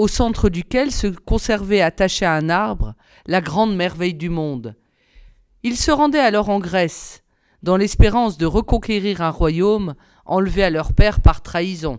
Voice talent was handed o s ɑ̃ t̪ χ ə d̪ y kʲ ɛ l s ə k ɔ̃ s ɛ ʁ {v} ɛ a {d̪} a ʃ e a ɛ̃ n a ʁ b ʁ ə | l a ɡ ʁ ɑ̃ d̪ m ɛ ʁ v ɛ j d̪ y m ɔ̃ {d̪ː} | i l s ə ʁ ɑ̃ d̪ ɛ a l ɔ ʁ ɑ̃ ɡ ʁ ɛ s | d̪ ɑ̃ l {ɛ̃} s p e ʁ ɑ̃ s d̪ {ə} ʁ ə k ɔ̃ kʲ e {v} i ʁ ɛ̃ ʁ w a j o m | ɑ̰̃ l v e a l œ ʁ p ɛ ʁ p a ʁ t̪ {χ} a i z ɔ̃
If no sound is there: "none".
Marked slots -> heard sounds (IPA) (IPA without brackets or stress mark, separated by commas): v, t̪, d̪, ɛ, ə, ʁ, χ